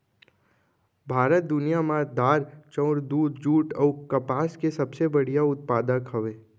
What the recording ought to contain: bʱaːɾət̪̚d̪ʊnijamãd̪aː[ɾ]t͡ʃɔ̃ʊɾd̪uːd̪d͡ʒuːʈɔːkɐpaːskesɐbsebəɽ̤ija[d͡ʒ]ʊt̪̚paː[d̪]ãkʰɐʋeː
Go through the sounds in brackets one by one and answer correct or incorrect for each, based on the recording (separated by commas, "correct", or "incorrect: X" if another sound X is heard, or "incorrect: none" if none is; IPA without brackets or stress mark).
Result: correct, incorrect: none, correct